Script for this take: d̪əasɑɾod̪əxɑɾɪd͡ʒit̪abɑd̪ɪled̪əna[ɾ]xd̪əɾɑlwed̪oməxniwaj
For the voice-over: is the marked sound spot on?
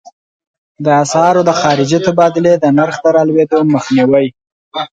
yes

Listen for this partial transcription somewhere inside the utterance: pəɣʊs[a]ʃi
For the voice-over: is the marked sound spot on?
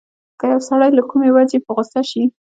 yes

